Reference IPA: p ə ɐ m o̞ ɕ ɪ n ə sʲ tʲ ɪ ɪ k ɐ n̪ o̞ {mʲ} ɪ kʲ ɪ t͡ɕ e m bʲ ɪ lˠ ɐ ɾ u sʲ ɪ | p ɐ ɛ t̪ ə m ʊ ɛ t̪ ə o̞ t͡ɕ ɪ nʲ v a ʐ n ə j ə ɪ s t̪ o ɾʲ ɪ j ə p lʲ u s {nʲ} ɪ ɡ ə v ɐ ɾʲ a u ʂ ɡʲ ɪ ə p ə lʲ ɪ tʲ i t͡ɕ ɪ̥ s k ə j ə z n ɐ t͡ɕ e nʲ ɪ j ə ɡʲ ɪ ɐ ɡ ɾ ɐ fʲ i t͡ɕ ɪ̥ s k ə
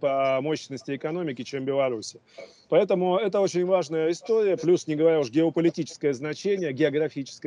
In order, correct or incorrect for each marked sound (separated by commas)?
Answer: correct, correct